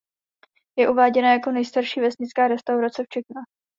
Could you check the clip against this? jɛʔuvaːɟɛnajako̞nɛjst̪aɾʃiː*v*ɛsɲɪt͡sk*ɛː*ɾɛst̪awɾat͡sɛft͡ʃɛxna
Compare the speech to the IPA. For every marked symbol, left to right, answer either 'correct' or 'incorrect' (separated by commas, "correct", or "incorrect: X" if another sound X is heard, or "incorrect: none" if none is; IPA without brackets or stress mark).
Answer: correct, incorrect: aː